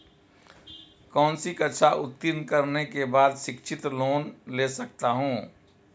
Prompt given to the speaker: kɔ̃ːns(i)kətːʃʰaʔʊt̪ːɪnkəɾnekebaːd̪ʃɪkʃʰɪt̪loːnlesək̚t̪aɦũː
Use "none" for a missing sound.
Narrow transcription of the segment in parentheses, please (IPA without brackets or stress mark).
i